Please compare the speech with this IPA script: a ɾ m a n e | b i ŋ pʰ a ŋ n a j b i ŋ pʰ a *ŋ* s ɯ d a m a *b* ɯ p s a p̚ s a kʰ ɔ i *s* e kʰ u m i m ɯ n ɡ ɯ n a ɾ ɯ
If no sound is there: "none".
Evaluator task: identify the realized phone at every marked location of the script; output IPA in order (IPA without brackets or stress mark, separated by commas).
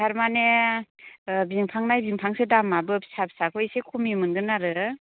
ŋ, b, s